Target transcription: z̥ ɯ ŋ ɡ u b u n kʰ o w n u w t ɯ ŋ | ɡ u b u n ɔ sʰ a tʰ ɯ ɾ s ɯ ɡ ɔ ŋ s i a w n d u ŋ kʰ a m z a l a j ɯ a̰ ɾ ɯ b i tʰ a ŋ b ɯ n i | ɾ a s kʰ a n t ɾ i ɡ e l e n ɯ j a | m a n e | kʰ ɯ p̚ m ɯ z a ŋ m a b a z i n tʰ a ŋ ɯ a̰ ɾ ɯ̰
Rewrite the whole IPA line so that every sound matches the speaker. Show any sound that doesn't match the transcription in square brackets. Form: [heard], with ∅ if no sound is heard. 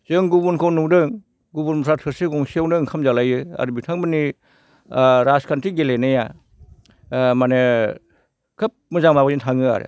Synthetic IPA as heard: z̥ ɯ ŋ ɡ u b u n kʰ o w n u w [d] ɯ ŋ | ɡ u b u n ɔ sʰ a tʰ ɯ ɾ s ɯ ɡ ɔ ŋ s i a w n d [ɯ] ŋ kʰ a m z a l a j ɯ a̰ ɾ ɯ b i tʰ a ŋ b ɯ n i | ɾ a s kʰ a n t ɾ i ɡ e l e n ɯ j a | m a n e | kʰ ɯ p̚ m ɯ z a ŋ m a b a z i n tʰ a ŋ ɯ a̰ ɾ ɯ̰